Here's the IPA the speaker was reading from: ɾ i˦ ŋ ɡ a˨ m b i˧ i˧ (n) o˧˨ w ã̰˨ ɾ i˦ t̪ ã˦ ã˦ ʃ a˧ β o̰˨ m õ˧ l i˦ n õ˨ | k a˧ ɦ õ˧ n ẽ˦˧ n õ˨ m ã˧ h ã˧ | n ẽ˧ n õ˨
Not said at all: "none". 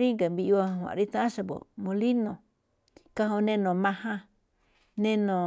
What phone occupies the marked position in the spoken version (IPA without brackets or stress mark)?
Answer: none